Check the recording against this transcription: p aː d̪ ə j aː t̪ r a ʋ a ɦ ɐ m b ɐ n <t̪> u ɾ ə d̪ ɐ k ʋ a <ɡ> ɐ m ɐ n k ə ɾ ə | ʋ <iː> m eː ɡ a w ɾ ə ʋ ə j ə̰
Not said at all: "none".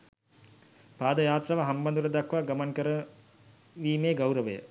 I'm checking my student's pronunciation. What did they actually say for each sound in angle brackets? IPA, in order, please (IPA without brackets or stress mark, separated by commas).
d̪, ɡ, iː